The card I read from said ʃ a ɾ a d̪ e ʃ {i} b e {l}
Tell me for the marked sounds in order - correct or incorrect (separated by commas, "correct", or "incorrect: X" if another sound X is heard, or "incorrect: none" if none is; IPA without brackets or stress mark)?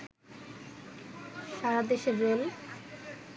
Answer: incorrect: e, correct